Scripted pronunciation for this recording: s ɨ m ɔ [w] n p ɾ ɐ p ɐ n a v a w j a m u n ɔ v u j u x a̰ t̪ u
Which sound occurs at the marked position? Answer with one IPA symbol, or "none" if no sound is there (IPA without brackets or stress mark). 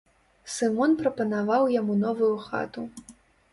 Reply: none